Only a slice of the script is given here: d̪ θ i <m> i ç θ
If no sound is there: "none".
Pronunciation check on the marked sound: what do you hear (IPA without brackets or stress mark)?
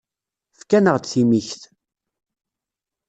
m